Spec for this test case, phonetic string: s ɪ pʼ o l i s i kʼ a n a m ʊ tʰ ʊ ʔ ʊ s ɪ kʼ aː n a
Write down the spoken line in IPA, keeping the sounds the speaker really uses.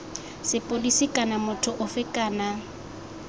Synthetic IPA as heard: s ɪ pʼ o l i s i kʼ a n a m ʊ tʰ ʊ ʔ ʊ f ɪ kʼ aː n a